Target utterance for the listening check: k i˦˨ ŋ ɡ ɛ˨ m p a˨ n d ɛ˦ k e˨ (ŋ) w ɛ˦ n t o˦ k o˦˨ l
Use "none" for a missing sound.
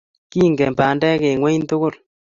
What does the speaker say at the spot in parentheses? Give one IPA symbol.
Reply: ŋ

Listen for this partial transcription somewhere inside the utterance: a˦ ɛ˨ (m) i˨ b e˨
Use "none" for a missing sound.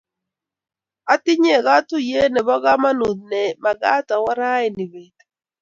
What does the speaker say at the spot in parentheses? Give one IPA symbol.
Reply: n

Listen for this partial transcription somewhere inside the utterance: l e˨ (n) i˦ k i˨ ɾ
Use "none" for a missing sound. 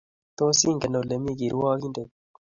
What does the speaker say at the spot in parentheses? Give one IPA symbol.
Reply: m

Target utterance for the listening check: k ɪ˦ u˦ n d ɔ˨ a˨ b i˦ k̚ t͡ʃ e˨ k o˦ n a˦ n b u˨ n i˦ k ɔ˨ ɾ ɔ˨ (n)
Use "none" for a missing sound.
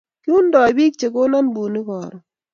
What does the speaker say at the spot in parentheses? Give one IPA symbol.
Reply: none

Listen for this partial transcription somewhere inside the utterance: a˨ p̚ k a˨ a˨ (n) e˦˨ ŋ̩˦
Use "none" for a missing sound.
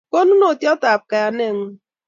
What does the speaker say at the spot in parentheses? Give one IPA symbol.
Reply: n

